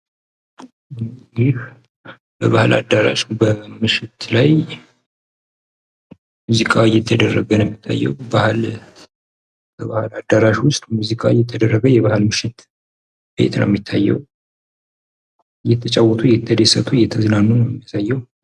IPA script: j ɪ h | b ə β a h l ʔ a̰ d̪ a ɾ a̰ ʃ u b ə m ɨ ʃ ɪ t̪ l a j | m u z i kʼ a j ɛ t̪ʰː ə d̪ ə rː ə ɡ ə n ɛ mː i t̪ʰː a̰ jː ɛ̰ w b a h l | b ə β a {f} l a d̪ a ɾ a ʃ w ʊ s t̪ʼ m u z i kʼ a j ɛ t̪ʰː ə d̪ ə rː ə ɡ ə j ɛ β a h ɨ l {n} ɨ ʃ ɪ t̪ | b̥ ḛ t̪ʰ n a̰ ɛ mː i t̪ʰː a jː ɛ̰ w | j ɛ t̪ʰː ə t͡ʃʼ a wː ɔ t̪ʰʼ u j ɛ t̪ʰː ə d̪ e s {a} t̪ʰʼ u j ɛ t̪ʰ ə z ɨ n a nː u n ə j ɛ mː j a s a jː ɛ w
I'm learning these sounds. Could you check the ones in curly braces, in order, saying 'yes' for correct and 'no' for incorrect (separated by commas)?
no, no, no